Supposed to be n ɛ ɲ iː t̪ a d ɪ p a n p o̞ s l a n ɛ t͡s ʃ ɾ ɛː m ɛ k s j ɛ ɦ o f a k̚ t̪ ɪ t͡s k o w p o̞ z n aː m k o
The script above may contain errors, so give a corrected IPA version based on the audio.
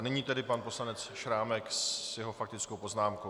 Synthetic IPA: n ɛ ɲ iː t̪ ɛ d ɪ p a n p o̞ s l a n ɛ t͡s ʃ ɾ aː m ɛ k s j ɛ ɦ o f a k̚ t̪ ɪ t͡s k o w p o̞ z n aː m k o